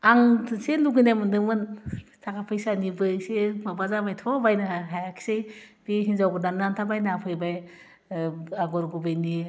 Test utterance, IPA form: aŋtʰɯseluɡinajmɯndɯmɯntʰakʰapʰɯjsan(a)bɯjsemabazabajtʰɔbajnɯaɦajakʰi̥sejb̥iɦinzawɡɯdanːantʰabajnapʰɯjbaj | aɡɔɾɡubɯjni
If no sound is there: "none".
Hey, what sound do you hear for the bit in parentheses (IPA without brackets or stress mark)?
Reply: i